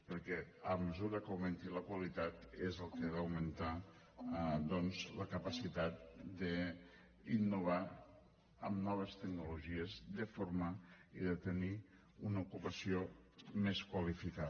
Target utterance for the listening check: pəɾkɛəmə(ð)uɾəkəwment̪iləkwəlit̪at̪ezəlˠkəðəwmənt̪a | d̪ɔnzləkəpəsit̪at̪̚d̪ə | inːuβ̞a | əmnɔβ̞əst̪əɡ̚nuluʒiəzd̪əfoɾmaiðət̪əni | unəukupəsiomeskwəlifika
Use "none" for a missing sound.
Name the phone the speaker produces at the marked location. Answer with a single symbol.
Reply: z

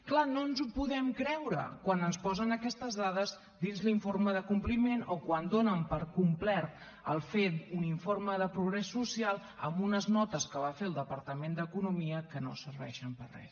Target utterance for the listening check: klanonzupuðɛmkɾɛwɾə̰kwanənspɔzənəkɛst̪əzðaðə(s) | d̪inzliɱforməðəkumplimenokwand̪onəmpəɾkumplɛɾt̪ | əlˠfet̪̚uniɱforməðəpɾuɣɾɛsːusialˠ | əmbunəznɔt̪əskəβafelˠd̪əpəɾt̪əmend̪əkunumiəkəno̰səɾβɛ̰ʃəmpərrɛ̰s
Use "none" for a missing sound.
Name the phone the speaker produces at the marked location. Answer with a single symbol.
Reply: z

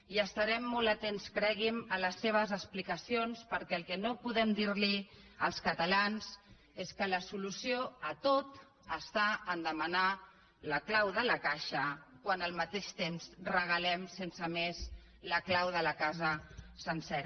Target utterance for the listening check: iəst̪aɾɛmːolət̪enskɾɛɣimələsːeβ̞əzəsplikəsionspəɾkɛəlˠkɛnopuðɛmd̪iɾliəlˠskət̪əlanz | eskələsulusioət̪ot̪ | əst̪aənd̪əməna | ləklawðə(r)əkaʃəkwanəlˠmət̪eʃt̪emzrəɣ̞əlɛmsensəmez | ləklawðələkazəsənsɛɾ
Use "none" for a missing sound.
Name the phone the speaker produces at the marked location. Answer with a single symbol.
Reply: l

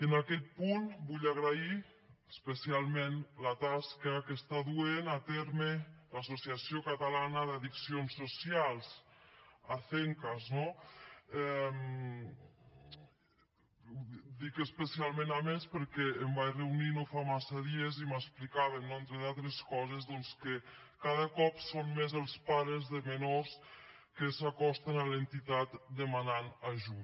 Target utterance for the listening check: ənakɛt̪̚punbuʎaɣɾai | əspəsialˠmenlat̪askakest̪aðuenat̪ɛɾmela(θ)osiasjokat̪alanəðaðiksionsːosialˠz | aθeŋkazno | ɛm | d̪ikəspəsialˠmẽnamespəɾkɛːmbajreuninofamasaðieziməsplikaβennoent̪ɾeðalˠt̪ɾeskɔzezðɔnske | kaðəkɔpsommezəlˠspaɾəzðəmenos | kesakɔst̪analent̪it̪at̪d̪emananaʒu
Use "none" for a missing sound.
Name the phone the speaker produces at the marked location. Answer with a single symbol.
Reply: s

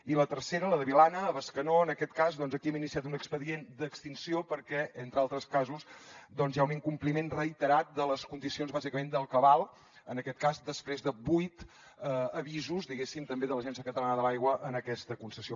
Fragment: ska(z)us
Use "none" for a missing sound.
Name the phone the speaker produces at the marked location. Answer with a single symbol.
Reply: z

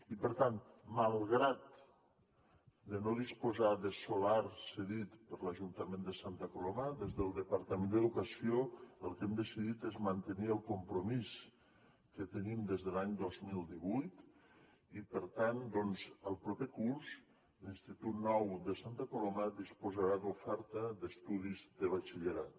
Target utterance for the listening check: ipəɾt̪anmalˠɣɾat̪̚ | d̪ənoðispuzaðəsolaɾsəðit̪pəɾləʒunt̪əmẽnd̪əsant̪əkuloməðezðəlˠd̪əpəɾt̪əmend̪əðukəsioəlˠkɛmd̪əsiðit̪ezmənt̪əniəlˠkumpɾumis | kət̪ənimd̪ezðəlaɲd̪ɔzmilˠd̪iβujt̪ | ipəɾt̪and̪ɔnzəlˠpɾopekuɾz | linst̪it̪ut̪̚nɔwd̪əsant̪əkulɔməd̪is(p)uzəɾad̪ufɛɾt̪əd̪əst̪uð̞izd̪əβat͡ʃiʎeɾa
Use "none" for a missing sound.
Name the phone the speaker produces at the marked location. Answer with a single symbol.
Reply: p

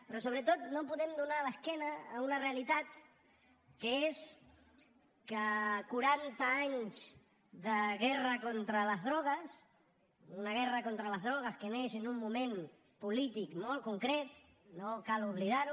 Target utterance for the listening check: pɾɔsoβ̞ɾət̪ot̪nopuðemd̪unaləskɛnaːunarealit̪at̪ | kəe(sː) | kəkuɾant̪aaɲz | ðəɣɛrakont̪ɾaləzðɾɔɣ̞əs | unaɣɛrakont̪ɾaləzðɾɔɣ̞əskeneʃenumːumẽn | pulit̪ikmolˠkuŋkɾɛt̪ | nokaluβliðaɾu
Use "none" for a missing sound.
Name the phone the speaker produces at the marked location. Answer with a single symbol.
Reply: s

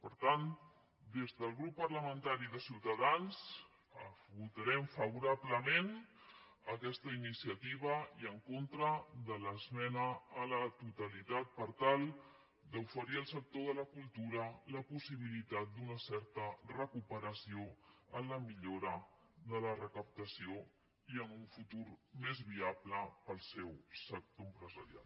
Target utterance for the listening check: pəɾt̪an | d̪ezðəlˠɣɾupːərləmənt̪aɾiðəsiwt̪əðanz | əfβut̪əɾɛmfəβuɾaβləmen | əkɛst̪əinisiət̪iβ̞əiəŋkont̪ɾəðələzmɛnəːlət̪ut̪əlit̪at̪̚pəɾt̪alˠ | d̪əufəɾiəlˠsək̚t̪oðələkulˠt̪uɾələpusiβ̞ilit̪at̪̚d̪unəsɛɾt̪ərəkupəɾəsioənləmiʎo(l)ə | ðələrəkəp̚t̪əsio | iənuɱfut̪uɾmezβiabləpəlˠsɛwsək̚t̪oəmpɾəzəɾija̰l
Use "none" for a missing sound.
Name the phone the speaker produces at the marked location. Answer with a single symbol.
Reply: ɾ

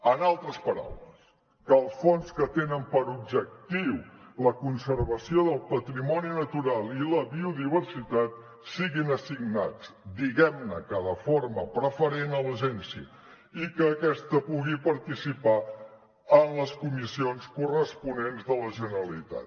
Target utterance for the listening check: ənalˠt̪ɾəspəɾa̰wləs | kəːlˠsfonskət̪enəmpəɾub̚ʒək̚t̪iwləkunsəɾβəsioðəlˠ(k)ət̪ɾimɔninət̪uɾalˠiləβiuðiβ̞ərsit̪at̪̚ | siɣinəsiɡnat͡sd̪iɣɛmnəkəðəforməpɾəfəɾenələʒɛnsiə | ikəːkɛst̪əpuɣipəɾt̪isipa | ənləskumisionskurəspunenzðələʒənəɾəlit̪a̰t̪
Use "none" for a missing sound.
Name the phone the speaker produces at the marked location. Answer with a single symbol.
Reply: p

